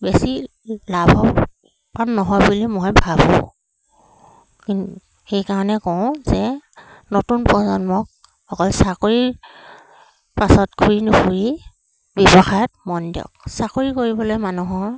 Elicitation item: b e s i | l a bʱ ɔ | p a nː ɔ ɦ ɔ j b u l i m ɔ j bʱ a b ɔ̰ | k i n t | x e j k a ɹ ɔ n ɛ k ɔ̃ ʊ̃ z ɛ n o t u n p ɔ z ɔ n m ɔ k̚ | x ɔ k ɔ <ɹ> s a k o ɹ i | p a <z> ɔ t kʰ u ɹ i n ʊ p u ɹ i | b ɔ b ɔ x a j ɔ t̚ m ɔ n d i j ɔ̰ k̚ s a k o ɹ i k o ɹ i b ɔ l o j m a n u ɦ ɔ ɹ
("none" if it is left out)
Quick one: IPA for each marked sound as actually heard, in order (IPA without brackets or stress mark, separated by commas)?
l, s